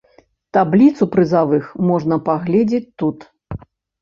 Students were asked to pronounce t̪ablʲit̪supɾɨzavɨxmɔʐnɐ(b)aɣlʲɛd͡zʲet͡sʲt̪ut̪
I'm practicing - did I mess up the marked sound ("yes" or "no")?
yes